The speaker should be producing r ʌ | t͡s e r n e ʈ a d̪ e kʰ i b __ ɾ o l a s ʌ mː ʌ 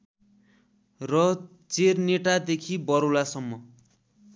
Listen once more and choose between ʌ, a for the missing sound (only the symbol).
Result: ʌ